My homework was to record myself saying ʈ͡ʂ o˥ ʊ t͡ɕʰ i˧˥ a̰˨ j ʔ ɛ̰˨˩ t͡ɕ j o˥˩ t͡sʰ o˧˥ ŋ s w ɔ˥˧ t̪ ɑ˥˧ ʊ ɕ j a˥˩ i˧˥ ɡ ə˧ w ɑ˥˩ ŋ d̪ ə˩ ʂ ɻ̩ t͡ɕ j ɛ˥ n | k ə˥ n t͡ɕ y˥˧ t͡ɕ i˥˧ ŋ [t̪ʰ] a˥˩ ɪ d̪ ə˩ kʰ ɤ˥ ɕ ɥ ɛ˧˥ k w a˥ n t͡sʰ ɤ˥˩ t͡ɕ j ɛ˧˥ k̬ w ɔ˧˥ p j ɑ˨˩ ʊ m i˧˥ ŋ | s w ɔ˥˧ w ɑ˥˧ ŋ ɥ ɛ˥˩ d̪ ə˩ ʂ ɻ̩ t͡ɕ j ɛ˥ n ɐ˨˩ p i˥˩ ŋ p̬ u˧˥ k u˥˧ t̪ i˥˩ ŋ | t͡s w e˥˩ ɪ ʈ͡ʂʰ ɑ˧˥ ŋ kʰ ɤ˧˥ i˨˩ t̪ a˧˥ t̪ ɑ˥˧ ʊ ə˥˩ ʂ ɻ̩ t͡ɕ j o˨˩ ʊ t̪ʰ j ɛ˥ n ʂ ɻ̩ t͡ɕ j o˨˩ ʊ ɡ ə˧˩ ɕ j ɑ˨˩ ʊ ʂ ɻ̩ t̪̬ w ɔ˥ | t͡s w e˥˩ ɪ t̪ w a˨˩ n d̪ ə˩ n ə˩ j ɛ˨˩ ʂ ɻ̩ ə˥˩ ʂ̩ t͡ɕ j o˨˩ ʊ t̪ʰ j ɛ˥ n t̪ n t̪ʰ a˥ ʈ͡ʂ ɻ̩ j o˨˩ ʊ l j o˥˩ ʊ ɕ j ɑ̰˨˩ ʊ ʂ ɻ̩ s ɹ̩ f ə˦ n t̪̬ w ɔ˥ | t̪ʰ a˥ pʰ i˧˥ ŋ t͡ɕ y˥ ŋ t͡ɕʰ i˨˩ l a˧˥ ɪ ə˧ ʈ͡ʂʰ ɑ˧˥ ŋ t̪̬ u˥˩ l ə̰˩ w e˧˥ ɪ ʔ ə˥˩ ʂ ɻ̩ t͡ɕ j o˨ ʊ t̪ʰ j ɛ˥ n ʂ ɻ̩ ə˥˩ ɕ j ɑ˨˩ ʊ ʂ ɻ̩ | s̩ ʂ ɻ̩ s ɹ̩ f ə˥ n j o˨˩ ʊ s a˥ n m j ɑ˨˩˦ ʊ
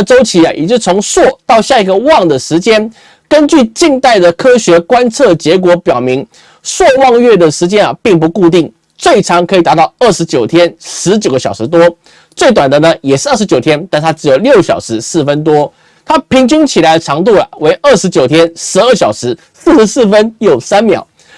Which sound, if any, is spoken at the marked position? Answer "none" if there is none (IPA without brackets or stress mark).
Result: t̪